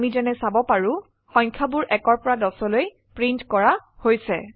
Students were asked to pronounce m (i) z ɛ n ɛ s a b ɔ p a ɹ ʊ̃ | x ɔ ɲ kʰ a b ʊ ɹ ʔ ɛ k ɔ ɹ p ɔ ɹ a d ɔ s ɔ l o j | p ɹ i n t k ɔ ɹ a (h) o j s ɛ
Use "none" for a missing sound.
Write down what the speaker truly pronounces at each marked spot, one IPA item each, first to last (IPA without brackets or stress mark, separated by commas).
i, h